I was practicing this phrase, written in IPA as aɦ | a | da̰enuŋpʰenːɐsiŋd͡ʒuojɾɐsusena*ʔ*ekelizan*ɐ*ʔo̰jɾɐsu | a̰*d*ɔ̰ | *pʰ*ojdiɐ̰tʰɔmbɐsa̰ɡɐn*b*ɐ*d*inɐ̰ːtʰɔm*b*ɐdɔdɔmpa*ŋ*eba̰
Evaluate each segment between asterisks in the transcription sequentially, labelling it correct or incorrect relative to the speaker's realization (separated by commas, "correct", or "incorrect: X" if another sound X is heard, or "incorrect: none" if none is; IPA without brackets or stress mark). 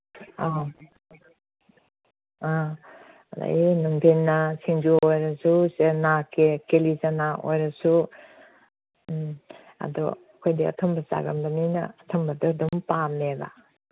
incorrect: k, incorrect: a, correct, incorrect: kʰ, correct, incorrect: n, correct, incorrect: m